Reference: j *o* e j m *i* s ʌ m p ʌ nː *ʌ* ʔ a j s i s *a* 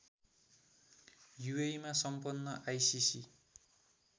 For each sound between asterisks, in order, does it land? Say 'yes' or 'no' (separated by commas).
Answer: no, no, yes, no